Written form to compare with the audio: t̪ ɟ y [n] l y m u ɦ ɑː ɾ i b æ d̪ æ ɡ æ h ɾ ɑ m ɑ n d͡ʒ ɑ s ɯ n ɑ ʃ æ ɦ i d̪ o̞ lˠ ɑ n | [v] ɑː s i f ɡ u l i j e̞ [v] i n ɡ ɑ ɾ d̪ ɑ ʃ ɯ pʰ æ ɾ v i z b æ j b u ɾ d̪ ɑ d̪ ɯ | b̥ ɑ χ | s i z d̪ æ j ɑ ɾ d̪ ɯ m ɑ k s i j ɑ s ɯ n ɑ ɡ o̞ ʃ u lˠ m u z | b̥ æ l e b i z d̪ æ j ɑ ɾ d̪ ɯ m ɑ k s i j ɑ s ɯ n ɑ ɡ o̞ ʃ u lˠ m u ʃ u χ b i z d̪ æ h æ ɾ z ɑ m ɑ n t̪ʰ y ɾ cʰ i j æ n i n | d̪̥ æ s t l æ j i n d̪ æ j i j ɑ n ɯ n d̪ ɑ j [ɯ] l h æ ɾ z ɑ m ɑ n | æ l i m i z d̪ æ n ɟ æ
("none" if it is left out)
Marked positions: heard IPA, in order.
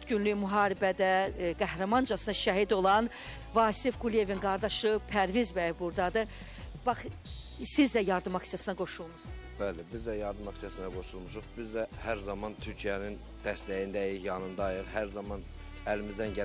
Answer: n, v, v, ɯ

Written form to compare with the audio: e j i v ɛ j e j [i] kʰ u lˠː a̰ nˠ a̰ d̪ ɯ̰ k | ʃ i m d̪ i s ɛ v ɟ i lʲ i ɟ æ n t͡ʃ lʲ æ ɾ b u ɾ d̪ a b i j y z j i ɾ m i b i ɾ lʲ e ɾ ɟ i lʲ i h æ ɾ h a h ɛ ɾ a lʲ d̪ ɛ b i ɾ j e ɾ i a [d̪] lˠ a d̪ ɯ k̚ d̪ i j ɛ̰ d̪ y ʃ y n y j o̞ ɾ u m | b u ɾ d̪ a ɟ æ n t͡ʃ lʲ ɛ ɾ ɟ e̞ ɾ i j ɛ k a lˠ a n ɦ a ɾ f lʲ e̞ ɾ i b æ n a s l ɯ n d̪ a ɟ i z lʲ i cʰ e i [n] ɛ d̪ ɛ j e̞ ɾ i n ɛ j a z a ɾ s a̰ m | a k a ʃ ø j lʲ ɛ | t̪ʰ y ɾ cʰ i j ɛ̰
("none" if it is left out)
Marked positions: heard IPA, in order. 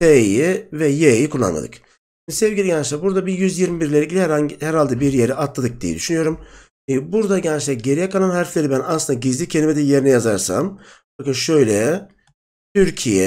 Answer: i, t̪, m

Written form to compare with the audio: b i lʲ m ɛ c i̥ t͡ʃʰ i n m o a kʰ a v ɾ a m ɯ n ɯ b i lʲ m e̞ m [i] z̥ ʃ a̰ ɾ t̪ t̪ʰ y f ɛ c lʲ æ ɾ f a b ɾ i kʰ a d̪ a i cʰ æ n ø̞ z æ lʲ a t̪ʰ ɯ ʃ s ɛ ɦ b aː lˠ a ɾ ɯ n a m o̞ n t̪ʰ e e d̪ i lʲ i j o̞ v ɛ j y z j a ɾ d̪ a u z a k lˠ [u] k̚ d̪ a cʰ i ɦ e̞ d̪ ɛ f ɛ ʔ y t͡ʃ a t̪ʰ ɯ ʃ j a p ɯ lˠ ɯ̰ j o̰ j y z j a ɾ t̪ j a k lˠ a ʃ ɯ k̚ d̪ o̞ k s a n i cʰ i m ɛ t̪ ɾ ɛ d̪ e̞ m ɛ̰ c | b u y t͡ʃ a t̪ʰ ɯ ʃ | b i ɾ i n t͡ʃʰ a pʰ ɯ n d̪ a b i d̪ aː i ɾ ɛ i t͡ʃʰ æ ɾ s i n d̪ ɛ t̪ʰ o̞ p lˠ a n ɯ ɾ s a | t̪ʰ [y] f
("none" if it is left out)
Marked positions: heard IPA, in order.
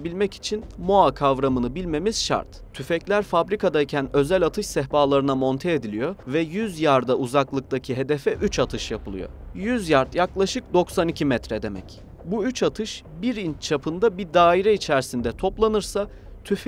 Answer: i, ɯ, y

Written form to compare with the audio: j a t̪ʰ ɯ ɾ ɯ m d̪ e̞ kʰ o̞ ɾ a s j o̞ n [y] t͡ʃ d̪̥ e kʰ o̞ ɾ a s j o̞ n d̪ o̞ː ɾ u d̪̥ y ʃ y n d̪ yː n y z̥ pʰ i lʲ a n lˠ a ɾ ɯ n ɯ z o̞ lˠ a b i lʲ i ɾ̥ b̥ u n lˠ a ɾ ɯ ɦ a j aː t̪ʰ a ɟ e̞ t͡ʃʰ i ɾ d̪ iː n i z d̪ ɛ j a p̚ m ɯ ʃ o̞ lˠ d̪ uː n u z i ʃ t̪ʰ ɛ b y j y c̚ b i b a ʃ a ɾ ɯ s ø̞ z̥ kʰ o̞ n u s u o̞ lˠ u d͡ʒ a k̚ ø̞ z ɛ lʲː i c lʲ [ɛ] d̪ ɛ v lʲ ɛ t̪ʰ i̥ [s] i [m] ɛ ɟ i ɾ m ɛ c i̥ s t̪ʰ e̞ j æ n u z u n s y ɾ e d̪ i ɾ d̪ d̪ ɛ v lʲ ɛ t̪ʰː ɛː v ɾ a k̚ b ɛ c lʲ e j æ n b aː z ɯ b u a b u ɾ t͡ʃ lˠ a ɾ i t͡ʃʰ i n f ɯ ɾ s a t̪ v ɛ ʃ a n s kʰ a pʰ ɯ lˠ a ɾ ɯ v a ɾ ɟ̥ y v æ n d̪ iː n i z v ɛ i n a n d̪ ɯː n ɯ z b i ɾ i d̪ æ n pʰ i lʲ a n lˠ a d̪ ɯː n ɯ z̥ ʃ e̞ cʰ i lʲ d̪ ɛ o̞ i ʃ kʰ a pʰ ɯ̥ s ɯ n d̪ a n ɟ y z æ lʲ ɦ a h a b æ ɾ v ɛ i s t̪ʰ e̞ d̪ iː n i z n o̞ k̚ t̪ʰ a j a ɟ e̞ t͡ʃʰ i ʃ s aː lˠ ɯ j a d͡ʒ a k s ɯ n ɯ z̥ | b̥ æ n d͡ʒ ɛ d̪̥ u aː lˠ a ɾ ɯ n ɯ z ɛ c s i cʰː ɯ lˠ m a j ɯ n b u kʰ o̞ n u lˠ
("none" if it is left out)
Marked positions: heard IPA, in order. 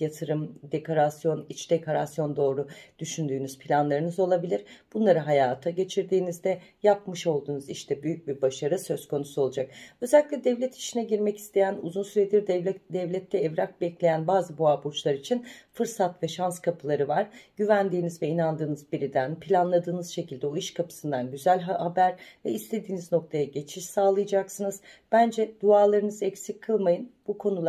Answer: i, ɛ, ʃ, n

